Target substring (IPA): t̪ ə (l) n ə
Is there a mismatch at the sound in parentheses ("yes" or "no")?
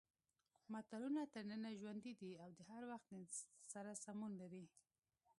yes